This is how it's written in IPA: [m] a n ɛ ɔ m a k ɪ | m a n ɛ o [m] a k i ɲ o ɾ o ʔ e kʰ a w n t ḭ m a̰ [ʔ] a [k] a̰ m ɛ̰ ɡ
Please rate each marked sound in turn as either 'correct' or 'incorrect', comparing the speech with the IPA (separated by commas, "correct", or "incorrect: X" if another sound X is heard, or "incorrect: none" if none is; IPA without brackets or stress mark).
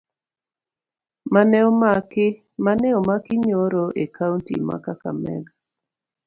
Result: correct, correct, incorrect: k, correct